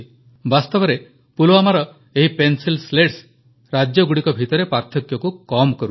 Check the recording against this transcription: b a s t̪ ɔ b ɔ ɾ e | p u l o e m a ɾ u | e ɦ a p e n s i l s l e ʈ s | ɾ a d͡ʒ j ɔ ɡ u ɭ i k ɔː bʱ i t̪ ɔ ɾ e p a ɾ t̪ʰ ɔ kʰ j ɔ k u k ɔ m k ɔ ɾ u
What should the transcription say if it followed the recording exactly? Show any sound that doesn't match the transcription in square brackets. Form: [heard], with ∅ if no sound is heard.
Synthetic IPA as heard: b a s t̪ ɔ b ɔ ɾ e | p u l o [a] m a ɾ [ɔ] | e ɦ [i] p e n s i l s l e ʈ s | ɾ a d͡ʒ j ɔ ɡ u [ɽ] i k [ɔ] bʱ i t̪ ɔ ɾ e p a ɾ t̪ʰ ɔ [k] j ɔ k u k ɔ m k ɔ ɾ u